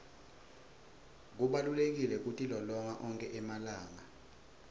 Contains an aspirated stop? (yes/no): no